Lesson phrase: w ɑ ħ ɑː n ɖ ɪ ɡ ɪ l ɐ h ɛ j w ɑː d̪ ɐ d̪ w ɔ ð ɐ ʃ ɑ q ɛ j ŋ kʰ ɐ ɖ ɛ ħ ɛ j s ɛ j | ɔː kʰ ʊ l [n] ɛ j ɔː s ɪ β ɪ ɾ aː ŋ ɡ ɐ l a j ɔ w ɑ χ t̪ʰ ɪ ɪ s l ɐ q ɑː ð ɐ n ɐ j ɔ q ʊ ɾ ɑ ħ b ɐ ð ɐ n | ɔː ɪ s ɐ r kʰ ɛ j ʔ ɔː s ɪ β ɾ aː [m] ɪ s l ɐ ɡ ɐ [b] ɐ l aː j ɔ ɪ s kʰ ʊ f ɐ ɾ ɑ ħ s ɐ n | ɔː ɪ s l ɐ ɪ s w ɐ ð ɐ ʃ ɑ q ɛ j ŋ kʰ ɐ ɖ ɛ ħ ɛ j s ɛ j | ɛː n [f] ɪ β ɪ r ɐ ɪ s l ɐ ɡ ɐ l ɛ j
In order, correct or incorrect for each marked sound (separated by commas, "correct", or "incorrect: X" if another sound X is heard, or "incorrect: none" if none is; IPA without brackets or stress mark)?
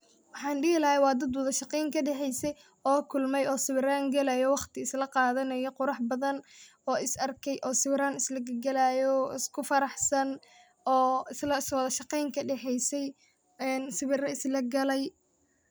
incorrect: m, incorrect: n, incorrect: ɡ, incorrect: s